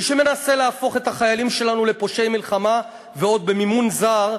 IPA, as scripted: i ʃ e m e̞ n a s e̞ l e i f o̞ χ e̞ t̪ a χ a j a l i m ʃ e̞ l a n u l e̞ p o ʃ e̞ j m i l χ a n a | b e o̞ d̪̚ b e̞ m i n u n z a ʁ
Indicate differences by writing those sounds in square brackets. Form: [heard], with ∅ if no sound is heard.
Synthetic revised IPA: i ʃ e m e̞ n a s e̞ l e [a] f o̞ χ e̞ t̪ a χ a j a l i m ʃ e̞ l a n u l e̞ p o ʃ e̞ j m i l χ a [m] a | [v] e o̞ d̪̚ b e̞ m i [m] u n z a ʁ